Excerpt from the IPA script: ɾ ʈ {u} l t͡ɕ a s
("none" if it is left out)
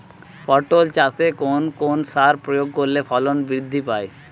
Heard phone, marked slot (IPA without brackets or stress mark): o